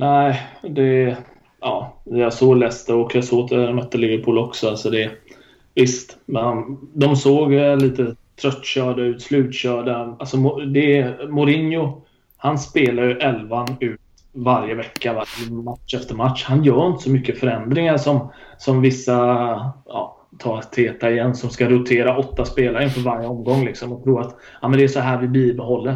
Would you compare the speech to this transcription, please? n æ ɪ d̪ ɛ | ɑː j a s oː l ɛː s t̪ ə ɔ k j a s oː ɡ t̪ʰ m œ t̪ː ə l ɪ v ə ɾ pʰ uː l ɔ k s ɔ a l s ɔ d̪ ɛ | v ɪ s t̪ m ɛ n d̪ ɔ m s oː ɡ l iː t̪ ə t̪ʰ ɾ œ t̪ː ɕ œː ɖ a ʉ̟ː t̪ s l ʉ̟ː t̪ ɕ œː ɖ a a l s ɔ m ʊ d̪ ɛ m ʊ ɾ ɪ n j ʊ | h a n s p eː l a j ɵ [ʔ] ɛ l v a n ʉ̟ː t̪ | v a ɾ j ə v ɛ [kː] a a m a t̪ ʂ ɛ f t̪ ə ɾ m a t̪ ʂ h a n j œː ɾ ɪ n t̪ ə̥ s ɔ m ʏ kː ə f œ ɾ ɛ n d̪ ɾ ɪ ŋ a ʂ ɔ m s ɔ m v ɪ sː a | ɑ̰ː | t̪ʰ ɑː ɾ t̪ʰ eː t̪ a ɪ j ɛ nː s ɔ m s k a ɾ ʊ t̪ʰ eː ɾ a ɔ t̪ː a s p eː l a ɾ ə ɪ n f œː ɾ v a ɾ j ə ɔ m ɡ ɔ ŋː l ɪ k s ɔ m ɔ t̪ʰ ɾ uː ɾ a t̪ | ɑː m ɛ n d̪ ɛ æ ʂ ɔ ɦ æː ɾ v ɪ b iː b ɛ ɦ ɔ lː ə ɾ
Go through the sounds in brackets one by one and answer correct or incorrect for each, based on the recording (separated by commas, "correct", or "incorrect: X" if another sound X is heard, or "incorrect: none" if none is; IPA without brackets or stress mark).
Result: correct, correct